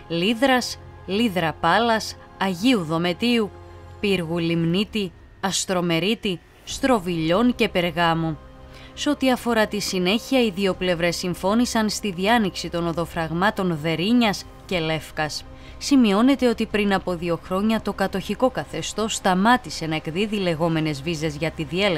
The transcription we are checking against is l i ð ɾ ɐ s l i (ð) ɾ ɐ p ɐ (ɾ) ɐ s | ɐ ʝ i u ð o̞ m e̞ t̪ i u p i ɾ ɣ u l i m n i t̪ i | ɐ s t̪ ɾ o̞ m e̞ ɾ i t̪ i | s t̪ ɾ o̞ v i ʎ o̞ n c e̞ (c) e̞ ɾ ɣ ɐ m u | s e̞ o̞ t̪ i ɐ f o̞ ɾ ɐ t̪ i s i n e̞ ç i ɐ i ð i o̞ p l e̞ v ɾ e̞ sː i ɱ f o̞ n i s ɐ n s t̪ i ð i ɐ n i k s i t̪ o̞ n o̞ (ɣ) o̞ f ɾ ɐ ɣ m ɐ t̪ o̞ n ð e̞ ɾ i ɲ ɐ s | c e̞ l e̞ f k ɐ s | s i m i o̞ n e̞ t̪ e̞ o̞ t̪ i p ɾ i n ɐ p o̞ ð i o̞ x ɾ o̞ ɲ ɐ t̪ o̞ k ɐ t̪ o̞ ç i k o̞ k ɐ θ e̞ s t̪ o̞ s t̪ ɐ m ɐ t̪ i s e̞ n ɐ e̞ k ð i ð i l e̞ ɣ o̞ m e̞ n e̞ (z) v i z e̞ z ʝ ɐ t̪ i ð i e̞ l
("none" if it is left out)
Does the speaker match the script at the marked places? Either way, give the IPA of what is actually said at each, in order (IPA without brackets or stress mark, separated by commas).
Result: ð, l, p, ð, z